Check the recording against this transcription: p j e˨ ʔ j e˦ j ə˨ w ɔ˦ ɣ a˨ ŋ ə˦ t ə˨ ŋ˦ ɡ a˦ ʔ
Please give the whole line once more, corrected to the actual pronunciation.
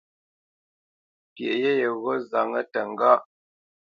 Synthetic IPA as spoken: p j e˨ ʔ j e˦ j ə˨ ɣ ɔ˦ z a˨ ŋ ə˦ t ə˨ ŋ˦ ɡ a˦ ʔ